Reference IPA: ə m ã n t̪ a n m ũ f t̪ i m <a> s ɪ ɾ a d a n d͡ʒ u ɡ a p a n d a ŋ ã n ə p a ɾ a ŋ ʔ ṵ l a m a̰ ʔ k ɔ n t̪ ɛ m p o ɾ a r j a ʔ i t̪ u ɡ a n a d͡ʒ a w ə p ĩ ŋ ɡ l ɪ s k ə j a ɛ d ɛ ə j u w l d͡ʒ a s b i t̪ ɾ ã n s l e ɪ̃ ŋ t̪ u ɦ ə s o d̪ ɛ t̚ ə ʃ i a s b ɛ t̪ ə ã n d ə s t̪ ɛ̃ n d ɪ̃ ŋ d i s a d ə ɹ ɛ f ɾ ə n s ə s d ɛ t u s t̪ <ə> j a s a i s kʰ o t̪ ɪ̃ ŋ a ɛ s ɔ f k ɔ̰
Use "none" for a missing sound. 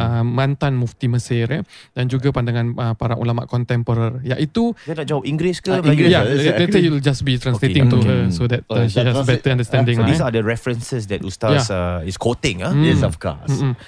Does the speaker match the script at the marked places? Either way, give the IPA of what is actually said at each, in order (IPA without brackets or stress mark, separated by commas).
ə, a